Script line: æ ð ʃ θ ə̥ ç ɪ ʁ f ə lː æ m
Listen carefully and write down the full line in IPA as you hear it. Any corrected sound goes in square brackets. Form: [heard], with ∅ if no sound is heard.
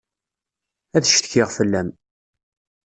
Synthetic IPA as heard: æ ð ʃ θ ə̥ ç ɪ ʁ f ə lː æ m